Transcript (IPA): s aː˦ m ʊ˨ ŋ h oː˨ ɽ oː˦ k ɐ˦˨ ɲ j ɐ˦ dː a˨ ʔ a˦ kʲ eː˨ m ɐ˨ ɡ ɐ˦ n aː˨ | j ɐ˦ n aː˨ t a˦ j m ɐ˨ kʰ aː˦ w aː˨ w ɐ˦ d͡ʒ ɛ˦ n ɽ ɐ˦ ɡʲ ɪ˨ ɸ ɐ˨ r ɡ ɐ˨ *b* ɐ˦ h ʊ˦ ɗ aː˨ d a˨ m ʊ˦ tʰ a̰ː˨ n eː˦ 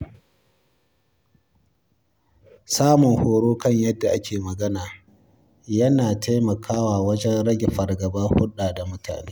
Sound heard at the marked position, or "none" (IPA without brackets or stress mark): b